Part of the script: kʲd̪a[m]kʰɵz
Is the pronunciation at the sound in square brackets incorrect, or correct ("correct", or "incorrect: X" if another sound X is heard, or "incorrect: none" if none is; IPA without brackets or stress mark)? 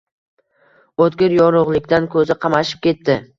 incorrect: n